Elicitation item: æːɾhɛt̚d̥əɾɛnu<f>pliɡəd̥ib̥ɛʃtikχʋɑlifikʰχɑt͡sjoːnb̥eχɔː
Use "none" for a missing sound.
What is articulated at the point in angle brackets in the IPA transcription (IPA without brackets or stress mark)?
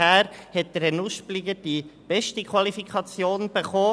ʃ